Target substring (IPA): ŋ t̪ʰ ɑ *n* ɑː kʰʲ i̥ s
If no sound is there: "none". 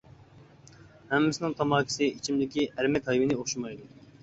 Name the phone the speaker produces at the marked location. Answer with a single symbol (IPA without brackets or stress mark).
m